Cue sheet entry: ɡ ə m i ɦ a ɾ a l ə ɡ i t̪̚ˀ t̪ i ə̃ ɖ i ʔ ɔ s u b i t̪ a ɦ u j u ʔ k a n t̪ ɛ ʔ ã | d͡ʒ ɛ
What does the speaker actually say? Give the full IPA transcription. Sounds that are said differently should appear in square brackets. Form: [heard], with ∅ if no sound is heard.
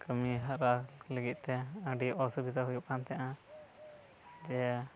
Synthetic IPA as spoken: [k] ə m i ɦ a ɾ a l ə ɡ i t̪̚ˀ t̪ [ɛ] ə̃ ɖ i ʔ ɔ s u b i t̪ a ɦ u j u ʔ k a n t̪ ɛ ʔ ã | d͡ʒ ɛ